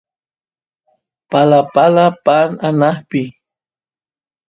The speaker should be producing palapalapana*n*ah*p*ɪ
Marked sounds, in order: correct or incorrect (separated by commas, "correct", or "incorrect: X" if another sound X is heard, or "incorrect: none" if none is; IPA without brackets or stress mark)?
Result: correct, correct